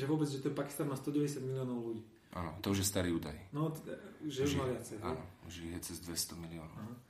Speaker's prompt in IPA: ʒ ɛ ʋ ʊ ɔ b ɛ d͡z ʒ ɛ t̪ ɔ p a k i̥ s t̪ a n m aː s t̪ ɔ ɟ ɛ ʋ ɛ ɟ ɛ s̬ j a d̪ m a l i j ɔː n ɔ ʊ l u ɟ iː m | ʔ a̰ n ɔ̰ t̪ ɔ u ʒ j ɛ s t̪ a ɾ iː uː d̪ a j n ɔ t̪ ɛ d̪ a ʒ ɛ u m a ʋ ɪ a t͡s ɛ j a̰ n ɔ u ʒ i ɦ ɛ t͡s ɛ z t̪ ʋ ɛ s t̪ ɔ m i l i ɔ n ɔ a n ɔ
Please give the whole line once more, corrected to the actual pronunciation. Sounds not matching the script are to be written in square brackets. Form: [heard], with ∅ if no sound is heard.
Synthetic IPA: ʒ ɛ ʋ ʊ ɔ b ɛ d͡z ʒ ɛ t̪ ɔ p a k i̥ s t̪ a n m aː s t̪ ɔ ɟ ɛ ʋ ɛ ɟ ɛ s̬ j a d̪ m [i] l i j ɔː n ɔ ʊ l u ɟ iː [∅] | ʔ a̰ n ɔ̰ t̪ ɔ u ʒ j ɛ s t̪ a ɾ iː uː d̪ a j n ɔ t̪ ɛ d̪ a ʒ ɛ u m a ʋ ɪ a t͡s ɛ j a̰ n ɔ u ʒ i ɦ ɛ t͡s ɛ z [d̪] ʋ ɛ s t̪ ɔ m i l i ɔ n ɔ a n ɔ